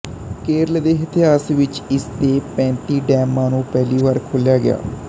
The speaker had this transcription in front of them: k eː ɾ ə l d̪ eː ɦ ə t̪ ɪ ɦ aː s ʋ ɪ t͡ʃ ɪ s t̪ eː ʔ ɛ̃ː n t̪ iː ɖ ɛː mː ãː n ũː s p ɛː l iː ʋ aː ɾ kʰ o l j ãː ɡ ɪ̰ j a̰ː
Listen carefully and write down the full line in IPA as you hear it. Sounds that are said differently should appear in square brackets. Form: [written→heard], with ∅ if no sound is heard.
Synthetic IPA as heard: k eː ɾ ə l d̪ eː ɦ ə t̪ ɪ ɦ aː s ʋ ɪ t͡ʃ ɪ s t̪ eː [ʔ→p] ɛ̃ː n t̪ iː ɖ ɛː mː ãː n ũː [s→∅] p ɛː l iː ʋ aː ɾ kʰ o l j [ãː→aː] ɡ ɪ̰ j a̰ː